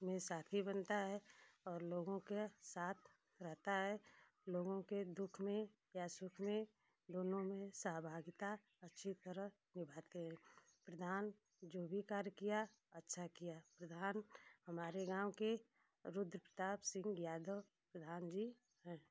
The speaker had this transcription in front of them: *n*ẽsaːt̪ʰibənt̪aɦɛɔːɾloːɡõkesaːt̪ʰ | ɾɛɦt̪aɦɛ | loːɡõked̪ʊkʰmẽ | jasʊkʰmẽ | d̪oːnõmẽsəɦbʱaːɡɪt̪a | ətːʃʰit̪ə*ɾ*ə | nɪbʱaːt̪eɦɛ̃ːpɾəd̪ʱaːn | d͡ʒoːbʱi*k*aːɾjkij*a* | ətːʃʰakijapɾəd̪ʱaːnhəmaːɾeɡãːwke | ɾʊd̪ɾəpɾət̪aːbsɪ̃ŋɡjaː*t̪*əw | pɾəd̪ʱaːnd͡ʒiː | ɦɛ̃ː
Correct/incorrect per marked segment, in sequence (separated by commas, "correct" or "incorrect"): incorrect, correct, correct, correct, incorrect